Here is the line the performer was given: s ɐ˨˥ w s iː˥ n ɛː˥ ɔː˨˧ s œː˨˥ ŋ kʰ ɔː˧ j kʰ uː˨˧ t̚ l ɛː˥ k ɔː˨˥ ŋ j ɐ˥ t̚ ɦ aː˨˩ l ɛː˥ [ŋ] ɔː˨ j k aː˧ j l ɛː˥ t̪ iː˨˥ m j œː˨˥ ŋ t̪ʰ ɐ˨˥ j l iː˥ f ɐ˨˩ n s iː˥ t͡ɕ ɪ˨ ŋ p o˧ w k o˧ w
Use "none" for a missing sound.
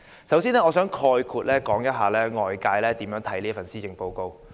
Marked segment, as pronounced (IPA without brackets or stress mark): ŋ